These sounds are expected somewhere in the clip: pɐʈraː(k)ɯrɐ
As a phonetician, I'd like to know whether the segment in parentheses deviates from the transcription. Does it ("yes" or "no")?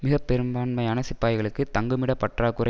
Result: no